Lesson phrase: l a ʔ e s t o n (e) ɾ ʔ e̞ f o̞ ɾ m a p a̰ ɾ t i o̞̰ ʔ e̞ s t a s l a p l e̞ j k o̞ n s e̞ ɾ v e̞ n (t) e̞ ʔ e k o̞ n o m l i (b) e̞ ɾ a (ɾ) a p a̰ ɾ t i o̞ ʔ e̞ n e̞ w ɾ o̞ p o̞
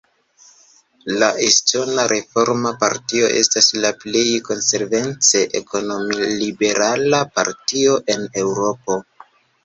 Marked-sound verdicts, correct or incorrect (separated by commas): incorrect, incorrect, correct, incorrect